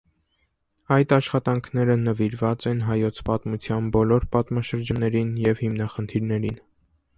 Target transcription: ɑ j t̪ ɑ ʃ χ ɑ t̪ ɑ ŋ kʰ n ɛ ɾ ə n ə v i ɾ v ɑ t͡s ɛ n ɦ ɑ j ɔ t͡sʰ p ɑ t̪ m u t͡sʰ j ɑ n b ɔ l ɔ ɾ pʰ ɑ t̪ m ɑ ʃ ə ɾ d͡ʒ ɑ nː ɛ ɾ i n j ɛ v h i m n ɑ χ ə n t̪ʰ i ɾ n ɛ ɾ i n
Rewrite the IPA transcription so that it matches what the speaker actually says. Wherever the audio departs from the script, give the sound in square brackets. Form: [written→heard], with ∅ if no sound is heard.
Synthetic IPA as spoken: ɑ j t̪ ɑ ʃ χ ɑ t̪ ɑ ŋ kʰ n ɛ ɾ ə n ə v i ɾ v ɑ t͡s ɛ n ɦ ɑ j ɔ t͡sʰ p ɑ t̪ m u t͡sʰ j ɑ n b ɔ l ɔ ɾ [pʰ→p] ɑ t̪ m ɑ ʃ ə ɾ d͡ʒ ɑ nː ɛ ɾ i n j ɛ v h i m n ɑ χ ə n t̪ʰ i ɾ n ɛ ɾ i n

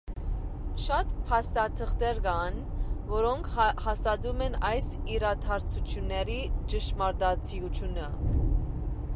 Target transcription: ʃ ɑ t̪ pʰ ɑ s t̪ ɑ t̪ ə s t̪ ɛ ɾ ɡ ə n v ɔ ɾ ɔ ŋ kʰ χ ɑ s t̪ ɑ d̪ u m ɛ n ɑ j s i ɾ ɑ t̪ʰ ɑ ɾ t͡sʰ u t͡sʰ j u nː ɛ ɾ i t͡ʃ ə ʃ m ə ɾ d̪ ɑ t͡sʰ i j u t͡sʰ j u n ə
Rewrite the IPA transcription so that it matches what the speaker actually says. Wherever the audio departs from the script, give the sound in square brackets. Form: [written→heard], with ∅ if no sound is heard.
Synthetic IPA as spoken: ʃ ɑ t̪ pʰ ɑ s t̪ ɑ [t̪→t̪ʰ] ə [s→χ] t̪ ɛ ɾ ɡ [ə→ɑ] n v ɔ ɾ ɔ ŋ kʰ [χ→h] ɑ s t̪ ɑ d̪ u m ɛ n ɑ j s i ɾ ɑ t̪ʰ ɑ ɾ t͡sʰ u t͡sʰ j u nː ɛ ɾ i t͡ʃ ə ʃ m [ə→ɑ] ɾ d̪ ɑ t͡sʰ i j u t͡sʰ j u n ə

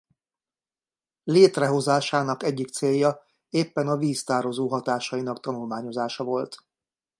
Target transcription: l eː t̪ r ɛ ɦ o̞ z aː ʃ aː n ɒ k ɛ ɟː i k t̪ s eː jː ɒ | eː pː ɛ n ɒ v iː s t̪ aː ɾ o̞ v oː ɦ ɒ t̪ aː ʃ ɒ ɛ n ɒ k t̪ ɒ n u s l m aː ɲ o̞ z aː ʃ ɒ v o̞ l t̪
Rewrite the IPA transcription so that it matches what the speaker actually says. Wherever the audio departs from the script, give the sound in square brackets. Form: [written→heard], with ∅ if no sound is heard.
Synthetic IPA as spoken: l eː t̪ r ɛ ɦ o̞ z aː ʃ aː n ɒ k ɛ ɟː i k t̪ s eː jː ɒ | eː pː ɛ n ɒ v iː s t̪ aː ɾ o̞ [v→z] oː ɦ ɒ t̪ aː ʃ ɒ [ɛ→i] n ɒ k t̪ ɒ n u [s→∅] l m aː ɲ o̞ z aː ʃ ɒ v o̞ l t̪

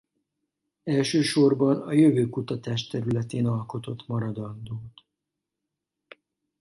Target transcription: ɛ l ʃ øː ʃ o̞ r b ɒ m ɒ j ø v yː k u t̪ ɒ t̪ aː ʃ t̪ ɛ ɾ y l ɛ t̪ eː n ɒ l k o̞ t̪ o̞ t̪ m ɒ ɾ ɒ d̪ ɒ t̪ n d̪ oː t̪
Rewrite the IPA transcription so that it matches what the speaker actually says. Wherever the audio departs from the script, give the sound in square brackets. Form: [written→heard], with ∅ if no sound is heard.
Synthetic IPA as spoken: ɛ l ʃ øː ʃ o̞ r b ɒ [m→n] ɒ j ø v [yː→øː] k u t̪ ɒ t̪ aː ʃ t̪ ɛ ɾ y l ɛ t̪ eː n ɒ l k o̞ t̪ o̞ t̪ m ɒ ɾ ɒ d̪ ɒ [t̪→∅] n d̪ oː t̪

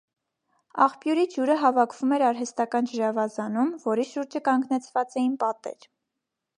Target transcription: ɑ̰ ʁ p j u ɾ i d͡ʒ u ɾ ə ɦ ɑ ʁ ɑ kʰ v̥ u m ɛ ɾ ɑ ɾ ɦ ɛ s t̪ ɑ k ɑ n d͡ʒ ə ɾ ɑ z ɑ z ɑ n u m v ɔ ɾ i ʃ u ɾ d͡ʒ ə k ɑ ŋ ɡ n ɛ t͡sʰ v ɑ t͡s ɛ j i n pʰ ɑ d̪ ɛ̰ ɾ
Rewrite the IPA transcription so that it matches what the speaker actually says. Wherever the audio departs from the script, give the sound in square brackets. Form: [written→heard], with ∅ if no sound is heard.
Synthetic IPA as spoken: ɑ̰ [ʁ→χ] p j u ɾ i d͡ʒ u ɾ ə ɦ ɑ [ʁ→v] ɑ kʰ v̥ u m ɛ ɾ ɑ ɾ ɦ ɛ s t̪ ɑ k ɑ n d͡ʒ ə ɾ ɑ [z→v] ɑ z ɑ n u m v ɔ ɾ i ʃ u ɾ d͡ʒ ə k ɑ ŋ ɡ n ɛ t͡sʰ v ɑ t͡s ɛ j i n [pʰ→p] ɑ [d̪→t̪] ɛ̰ ɾ

